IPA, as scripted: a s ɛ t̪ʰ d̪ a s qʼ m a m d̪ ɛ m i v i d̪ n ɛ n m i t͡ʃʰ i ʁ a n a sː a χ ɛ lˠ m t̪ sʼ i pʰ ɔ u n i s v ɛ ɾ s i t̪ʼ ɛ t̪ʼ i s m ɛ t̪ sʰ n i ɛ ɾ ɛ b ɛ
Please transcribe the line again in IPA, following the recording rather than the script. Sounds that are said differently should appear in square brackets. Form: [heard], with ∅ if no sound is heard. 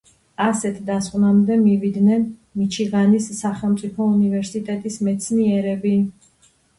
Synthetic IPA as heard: a s ɛ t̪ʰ d̪ a s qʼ [n] a m d̪ ɛ m i v i d̪ n ɛ n m i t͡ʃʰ i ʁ a n [i] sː a χ ɛ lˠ m t̪ sʼ i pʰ ɔ u n i [∅] v ɛ ɾ s i t̪ʼ ɛ t̪ʼ i s m ɛ t̪ sʰ n i ɛ ɾ ɛ b [i]